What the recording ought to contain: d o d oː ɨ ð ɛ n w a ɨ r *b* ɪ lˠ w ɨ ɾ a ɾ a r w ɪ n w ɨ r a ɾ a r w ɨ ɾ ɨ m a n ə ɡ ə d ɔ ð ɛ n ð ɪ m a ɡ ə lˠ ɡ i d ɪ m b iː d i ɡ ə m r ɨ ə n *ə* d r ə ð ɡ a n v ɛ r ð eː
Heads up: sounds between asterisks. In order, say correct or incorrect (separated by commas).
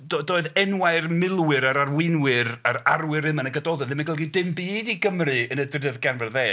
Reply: incorrect, correct